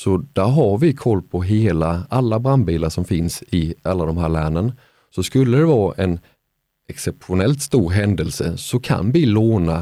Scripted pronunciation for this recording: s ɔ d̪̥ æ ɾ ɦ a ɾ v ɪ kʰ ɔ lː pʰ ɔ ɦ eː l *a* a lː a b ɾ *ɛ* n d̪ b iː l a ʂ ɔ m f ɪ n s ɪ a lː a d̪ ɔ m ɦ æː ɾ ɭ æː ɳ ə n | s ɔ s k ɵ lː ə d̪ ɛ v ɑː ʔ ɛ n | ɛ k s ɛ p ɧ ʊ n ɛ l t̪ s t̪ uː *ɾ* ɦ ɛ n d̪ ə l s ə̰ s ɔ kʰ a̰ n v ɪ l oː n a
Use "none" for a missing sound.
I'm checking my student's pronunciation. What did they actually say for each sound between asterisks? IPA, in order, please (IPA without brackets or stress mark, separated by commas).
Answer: a, a, ɾ